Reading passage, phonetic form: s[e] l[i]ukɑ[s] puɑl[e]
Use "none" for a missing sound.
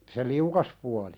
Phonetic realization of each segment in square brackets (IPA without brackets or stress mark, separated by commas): e, i, s, i